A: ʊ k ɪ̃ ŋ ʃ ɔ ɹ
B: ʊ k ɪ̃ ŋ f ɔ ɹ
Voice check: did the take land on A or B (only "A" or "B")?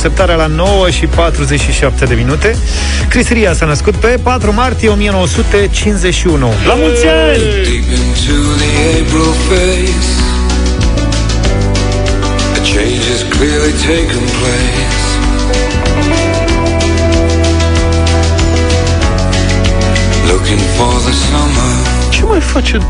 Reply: B